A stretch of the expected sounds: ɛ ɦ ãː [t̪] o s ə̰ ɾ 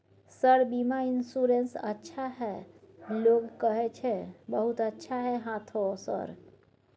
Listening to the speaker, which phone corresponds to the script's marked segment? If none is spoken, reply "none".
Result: t̪ʰ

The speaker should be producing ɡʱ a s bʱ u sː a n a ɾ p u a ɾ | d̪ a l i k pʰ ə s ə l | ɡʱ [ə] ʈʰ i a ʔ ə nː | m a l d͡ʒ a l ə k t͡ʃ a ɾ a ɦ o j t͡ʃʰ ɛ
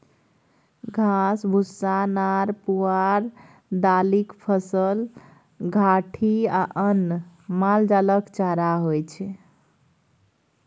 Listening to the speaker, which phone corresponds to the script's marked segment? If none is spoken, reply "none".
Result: a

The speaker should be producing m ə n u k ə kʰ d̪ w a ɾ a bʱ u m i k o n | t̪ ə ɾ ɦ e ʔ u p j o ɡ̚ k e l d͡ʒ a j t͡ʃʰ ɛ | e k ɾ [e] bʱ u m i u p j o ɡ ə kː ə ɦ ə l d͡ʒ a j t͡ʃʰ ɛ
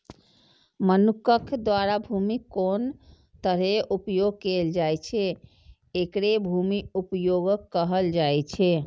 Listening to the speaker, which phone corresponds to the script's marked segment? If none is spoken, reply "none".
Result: e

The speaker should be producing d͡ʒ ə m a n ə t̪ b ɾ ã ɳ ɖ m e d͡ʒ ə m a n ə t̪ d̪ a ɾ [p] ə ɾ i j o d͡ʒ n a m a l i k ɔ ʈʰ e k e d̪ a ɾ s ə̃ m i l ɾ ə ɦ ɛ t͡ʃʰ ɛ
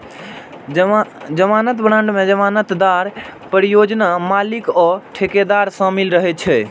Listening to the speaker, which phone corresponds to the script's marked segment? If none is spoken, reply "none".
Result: p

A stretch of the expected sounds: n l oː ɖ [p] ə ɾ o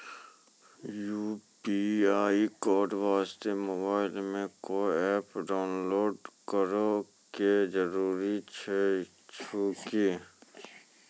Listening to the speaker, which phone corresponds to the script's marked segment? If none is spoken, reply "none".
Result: k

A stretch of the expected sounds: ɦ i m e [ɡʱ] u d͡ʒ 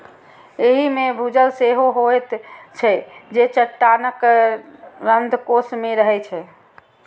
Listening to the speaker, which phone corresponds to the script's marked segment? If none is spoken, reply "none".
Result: bʱ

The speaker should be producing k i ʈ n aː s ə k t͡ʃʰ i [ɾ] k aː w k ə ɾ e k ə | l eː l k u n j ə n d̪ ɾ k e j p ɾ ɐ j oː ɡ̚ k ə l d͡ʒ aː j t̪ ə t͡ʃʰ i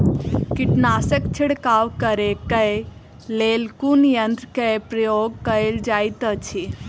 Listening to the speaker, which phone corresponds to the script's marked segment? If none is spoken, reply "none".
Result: ɽ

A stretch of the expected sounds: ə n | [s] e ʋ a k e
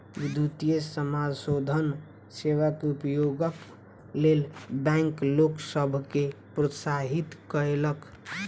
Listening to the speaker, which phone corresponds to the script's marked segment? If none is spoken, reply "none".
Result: s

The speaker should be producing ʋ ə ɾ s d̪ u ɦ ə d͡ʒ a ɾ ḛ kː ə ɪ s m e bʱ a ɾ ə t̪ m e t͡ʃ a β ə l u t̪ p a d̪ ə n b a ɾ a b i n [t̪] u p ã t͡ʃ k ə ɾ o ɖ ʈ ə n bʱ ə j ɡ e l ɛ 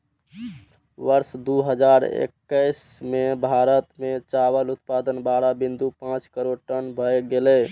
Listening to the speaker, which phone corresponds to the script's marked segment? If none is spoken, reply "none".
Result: d̪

